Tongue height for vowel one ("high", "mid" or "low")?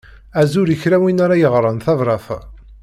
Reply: low